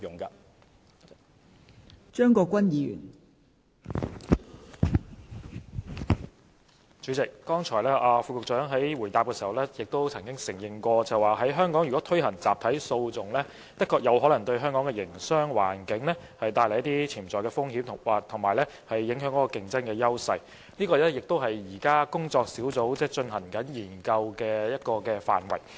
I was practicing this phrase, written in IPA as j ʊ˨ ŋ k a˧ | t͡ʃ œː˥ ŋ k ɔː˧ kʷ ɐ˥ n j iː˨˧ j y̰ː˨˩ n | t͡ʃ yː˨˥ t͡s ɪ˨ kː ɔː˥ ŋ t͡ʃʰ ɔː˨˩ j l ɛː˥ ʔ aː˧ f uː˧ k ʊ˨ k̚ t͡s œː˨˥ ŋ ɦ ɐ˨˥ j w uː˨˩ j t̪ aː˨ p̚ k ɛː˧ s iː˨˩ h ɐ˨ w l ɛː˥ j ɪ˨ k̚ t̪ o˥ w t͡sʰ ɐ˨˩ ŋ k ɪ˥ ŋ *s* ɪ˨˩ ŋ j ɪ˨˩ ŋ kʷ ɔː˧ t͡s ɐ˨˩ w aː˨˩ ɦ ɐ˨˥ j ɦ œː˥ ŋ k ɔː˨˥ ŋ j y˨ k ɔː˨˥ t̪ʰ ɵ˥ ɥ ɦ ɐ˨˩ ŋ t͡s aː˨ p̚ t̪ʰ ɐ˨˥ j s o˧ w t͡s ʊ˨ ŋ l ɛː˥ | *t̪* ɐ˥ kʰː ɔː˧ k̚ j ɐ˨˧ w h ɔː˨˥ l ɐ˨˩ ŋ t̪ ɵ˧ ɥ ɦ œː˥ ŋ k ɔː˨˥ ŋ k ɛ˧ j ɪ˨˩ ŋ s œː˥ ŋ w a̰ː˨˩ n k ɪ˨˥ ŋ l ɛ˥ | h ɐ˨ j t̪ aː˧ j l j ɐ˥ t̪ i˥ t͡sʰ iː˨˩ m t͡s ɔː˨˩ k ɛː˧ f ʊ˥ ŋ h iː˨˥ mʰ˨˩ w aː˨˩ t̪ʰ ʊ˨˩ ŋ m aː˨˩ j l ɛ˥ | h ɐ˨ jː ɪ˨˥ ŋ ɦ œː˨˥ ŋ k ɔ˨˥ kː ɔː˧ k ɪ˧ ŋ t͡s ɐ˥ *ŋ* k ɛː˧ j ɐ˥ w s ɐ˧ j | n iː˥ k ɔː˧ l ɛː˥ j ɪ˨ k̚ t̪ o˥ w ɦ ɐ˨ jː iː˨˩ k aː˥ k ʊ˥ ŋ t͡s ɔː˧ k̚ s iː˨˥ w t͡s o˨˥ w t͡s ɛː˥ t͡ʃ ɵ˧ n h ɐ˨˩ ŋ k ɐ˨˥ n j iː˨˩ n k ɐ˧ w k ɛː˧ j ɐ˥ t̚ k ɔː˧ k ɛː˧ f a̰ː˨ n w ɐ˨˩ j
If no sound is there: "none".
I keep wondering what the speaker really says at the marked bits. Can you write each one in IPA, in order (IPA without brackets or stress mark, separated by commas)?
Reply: s, t̪, n